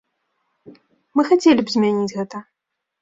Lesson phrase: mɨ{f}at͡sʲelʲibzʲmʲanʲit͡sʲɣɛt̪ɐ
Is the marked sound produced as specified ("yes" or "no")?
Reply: no